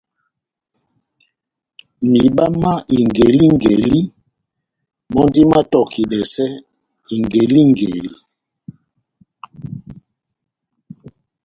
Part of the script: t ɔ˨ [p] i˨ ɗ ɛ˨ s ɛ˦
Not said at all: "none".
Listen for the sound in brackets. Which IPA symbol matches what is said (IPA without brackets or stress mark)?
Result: k